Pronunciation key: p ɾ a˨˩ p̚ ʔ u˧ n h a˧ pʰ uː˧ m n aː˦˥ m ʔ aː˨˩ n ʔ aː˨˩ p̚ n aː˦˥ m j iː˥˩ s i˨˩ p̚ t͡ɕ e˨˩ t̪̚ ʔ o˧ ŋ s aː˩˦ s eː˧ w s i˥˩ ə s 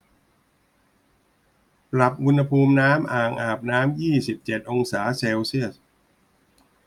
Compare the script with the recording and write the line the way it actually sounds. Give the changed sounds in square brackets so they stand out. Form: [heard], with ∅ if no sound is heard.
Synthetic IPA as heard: p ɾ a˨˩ p̚ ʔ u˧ n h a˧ pʰ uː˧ m n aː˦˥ m ʔ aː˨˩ [ŋ] ʔ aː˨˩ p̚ n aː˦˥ m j iː˥˩ s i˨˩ p̚ t͡ɕ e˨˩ t̪̚ ʔ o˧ ŋ s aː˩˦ s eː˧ w s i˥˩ ə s